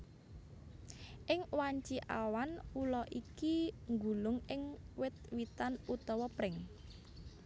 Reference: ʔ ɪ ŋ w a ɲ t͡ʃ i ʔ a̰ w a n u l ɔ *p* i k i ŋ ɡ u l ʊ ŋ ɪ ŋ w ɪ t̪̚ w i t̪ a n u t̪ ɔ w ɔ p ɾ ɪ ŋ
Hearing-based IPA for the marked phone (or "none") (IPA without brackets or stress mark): ʔ